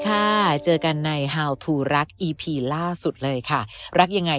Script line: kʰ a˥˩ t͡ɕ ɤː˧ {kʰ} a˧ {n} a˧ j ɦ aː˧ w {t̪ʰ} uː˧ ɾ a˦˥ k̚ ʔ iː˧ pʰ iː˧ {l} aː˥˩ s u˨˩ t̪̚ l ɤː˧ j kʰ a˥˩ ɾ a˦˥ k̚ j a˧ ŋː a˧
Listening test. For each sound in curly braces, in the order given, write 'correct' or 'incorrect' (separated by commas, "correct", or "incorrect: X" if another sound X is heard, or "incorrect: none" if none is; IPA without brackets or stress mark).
incorrect: k, incorrect: nː, correct, correct